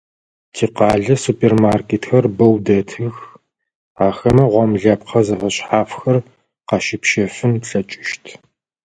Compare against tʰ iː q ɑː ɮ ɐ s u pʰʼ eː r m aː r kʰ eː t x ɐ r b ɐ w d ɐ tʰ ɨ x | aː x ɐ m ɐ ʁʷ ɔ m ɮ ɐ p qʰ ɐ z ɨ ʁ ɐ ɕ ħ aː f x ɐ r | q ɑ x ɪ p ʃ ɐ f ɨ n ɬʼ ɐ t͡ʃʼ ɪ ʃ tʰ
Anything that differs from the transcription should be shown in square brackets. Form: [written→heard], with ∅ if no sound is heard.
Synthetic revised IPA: tʰ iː q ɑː ɮ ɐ s u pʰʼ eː r m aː r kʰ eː t x ɐ r b ɐ w d ɐ tʰ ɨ x | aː x ɐ m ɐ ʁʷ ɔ m ɮ ɐ p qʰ ɐ z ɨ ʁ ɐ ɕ ħ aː f x ɐ r | q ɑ [x→ʃ] ɪ p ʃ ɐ f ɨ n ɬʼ ɐ t͡ʃʼ ɪ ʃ tʰ